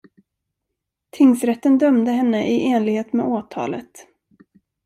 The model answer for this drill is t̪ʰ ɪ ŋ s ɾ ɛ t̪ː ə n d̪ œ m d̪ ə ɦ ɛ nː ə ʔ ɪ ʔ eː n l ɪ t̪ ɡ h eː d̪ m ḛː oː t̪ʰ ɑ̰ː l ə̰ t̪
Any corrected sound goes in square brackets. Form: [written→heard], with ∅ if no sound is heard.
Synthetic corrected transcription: t̪ʰ ɪ ŋ s ɾ ɛ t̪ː ə n d̪ œ m d̪ ə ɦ ɛ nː ə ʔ ɪ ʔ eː n l ɪ [t̪→∅] ɡ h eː [d̪→t̪] m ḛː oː t̪ʰ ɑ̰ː l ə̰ t̪